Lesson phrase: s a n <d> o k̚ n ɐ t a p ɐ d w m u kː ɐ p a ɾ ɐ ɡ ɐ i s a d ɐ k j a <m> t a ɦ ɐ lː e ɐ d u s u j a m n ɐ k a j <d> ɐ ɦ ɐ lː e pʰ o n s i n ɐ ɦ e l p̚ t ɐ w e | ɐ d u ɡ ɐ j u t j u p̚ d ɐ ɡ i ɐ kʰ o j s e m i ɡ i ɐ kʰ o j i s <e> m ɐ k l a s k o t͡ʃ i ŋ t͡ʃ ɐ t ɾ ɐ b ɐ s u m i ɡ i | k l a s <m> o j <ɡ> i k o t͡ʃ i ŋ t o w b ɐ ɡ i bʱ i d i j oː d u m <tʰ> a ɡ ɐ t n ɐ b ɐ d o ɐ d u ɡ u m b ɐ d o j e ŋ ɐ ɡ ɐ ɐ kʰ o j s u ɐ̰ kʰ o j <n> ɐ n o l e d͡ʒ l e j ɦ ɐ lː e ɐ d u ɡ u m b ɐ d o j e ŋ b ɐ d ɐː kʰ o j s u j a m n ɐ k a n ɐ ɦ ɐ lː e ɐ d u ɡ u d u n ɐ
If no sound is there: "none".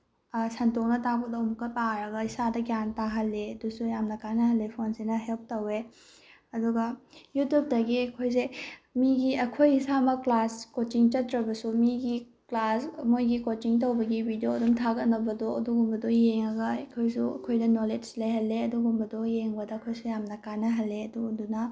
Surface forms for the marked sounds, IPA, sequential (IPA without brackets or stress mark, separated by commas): t, n, n, a, m, ɡ, tʰ, d